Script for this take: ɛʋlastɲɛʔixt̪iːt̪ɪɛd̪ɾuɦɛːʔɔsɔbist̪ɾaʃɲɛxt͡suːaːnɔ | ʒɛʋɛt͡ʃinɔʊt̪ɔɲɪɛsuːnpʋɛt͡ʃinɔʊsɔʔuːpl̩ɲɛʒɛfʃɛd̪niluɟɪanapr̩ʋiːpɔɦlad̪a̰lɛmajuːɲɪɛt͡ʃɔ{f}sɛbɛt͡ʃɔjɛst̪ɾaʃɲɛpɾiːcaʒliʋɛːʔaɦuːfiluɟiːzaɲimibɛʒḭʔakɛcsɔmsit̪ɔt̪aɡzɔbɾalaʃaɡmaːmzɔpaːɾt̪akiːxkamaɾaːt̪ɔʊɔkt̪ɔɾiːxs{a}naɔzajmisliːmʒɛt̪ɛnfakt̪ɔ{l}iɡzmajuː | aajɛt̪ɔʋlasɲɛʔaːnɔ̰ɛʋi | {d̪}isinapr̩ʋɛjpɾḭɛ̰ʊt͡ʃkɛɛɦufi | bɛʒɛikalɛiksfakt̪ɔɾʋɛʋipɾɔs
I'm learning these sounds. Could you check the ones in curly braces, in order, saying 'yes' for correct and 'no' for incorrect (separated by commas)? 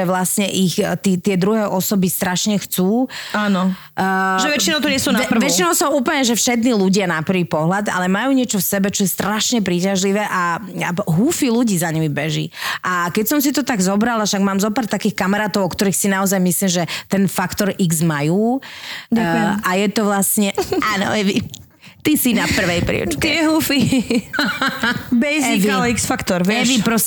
yes, no, no, no